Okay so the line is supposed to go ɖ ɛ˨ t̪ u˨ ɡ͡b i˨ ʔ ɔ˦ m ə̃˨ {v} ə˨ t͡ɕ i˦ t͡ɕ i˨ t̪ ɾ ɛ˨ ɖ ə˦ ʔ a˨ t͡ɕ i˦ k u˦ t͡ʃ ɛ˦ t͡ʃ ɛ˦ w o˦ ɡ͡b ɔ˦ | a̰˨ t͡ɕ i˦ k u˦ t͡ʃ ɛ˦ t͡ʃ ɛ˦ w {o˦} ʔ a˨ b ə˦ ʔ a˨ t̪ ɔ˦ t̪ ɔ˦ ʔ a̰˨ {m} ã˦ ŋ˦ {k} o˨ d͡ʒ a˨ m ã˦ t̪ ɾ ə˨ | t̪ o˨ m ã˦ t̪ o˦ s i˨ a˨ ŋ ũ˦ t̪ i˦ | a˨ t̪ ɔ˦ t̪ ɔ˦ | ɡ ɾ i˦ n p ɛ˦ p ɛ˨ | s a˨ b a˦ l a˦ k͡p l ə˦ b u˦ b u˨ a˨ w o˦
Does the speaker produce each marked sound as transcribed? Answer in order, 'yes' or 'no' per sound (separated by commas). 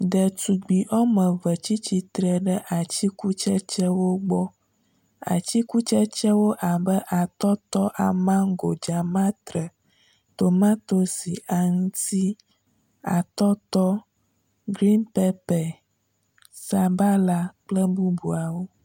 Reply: yes, yes, yes, no